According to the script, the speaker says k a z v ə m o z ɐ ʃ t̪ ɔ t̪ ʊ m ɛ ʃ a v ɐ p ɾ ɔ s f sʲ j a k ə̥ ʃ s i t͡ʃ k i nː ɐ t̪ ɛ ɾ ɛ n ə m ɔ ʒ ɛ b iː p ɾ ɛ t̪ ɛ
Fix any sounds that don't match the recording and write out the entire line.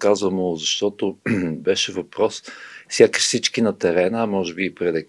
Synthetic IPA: k a z v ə m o z ɐ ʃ t̪ ɔ t̪ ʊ b ɛ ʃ ɛ v ɐ p ɾ ɔ s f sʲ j a k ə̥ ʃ s i t͡ʃ k i n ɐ t̪ ɛ ɾ ɛ n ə m ɔ ʒ ɛ b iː p ɾ ɛ d̪ ɛ